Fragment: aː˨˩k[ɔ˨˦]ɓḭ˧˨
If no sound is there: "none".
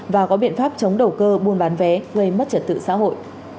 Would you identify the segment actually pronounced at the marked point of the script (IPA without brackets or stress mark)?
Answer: ɔ˨˦